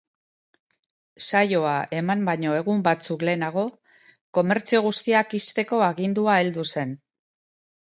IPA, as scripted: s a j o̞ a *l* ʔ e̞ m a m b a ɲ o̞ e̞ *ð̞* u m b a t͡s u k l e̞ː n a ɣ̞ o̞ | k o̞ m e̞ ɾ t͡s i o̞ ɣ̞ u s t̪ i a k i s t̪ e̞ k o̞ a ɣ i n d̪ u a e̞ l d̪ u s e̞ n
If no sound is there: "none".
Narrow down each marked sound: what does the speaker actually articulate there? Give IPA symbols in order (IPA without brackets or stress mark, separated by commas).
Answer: none, ɣ̞